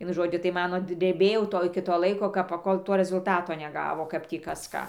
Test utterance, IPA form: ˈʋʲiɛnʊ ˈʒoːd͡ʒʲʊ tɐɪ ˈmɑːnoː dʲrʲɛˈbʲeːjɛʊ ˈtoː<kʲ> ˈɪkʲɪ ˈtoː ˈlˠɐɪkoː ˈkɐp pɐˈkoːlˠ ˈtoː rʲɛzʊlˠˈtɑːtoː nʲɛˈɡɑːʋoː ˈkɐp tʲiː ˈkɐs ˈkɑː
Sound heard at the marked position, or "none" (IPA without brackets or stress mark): none